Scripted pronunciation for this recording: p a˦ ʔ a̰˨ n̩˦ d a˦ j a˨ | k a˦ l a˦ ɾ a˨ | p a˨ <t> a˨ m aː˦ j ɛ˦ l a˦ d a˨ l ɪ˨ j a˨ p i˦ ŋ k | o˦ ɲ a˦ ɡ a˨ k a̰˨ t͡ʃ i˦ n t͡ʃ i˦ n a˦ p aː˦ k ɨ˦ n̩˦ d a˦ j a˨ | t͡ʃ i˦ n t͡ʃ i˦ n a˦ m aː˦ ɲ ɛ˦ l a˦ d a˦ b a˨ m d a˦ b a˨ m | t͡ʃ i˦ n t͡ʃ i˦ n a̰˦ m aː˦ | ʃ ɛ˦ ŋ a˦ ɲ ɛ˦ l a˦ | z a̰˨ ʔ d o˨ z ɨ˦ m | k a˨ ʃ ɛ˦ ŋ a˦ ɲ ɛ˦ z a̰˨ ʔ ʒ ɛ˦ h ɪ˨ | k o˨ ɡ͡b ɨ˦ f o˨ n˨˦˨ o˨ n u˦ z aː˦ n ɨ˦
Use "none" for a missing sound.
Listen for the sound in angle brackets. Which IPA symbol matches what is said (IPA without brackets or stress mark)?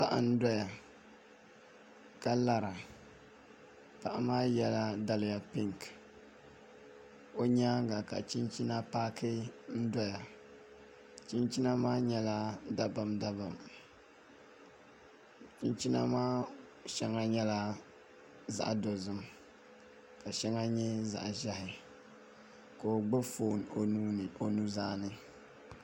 ʔ